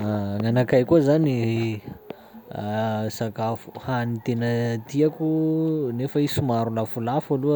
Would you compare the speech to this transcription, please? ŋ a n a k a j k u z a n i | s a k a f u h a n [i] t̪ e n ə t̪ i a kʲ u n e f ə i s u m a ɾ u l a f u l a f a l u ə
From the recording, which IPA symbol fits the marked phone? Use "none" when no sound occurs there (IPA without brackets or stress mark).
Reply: i